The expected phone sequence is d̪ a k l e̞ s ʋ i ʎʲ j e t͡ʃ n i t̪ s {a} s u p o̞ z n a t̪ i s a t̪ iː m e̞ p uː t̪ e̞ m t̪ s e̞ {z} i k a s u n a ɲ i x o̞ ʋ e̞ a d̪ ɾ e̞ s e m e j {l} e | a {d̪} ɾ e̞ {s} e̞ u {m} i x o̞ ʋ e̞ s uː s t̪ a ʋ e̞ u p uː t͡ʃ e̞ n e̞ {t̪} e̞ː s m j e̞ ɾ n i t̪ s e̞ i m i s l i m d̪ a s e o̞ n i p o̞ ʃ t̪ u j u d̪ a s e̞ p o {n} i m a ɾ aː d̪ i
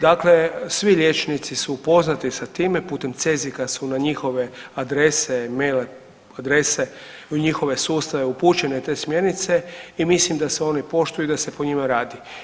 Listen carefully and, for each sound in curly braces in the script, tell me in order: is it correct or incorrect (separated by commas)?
incorrect, correct, correct, correct, correct, incorrect, correct, incorrect